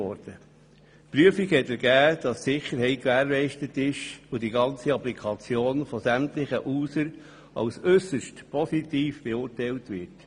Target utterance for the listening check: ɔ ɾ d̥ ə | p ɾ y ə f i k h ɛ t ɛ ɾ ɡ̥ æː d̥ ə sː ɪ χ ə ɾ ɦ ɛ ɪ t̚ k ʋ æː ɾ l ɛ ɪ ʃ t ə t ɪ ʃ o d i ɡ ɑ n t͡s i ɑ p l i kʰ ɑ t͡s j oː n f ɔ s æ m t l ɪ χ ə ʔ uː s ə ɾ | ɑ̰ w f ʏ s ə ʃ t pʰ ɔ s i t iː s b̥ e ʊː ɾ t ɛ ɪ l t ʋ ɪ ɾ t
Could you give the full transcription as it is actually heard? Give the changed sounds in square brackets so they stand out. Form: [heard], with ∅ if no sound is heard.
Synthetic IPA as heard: ɔ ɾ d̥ ə | p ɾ y ə f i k h ɛ t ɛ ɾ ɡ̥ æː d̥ [ɑ] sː ɪ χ ə ɾ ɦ ɛ ɪ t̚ k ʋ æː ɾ l ɛ ɪ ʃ t ə t ɪ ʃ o d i ɡ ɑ n t͡s i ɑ p l i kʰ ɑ t͡s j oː n f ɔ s æ m t l ɪ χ ə ʔ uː s ə ɾ | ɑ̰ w [s] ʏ s ə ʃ t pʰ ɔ s i t iː [f] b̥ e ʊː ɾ t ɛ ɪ l t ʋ ɪ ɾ t